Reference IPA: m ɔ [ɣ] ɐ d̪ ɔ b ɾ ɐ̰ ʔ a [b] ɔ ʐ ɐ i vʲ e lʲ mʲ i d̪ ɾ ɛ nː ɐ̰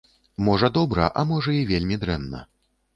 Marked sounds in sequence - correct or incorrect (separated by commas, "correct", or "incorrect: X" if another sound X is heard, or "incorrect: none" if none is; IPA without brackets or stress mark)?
incorrect: ʐ, incorrect: m